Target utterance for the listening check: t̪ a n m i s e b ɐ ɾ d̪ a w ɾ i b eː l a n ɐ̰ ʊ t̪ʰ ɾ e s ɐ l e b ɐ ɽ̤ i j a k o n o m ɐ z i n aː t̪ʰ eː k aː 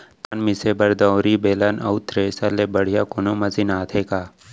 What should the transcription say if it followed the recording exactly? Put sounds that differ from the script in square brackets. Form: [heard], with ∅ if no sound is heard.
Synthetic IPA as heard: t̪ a n m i s e b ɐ ɾ d̪ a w ɾ i b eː l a n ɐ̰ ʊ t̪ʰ ɾ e s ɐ l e b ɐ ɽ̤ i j a k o n o m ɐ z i n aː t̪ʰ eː k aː